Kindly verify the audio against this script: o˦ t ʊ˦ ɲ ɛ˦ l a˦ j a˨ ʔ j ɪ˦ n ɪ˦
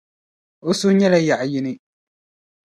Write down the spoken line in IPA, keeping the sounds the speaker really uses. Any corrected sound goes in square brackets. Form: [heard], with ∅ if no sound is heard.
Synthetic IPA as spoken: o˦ [s] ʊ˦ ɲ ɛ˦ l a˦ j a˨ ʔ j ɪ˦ n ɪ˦